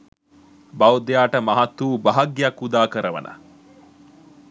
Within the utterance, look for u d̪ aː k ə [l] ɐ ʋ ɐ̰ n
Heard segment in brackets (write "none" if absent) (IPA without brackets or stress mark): ɾ